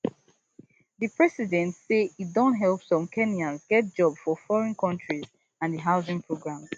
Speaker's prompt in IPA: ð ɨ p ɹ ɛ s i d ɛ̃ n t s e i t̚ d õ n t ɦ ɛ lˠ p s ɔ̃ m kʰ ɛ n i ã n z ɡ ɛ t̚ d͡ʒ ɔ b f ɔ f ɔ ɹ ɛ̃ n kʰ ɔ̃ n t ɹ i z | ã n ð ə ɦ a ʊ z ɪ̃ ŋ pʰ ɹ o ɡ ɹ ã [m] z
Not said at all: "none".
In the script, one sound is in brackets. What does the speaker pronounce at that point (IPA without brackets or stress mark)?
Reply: m